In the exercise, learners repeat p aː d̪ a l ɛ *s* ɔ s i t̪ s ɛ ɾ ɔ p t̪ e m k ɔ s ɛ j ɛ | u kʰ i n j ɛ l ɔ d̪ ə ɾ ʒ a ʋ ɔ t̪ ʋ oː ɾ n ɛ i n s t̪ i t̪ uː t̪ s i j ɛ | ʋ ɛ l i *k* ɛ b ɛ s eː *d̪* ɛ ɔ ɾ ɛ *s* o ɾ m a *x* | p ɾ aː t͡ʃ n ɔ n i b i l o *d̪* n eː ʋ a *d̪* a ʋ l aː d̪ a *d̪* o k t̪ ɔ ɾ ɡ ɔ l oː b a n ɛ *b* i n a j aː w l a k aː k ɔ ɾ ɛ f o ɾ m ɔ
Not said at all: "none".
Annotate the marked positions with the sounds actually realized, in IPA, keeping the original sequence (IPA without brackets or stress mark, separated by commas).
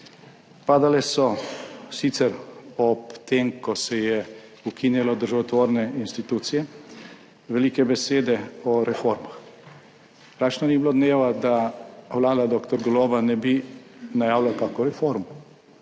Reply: s, k, d̪, f, x, d̪, d̪, d̪, b